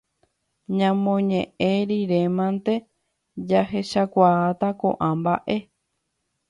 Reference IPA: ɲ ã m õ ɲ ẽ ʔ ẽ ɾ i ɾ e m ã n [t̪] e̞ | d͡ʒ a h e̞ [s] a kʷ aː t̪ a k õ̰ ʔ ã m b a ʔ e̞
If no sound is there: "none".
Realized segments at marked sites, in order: t̪, ʃ

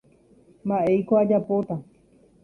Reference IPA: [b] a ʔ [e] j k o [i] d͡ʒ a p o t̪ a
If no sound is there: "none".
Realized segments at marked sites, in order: m, e, a

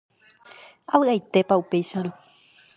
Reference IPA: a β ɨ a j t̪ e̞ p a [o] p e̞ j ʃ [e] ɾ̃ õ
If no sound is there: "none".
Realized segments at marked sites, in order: u, a

